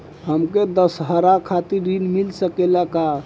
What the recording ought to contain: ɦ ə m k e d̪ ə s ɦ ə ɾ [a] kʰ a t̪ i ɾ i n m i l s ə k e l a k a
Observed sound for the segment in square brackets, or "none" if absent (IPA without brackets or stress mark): a